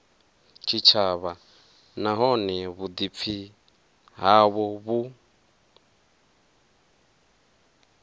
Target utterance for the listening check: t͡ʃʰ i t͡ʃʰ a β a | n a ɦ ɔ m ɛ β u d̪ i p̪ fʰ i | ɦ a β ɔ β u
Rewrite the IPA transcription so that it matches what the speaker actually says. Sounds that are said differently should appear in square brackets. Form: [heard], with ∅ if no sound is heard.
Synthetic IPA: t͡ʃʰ i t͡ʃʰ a β a | n a ɦ ɔ [n] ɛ β u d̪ i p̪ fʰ i | ɦ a β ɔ β u